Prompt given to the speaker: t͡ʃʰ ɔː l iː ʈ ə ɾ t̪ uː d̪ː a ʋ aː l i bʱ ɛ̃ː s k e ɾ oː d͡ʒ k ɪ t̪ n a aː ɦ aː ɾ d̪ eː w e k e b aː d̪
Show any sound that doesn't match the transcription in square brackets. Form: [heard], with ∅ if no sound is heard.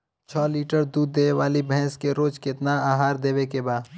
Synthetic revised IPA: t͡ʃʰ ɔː l iː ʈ ə ɾ [d̪] uː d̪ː [e] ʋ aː l i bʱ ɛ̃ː s k e ɾ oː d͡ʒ k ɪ t̪ n a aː ɦ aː ɾ d̪ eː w e k e b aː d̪